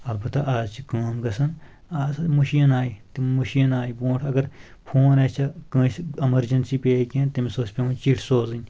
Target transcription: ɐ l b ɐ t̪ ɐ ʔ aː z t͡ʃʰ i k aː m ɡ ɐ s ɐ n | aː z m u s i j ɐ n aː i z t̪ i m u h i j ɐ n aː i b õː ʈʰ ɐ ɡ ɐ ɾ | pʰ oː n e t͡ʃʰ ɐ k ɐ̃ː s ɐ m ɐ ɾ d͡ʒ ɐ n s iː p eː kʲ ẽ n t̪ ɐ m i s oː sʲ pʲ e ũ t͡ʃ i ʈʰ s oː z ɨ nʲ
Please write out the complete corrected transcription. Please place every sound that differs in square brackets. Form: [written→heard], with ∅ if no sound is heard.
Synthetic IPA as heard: ɐ l b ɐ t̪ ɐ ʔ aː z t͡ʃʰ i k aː m ɡ ɐ s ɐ n | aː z m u [s→ʃ] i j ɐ n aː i [z→∅] t̪ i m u [h→ʃ] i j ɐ n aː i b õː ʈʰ ɐ ɡ ɐ ɾ | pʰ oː n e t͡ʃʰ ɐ k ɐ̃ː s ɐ m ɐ ɾ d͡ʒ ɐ n s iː p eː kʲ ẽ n t̪ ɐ m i s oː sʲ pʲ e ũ t͡ʃ i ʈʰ s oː z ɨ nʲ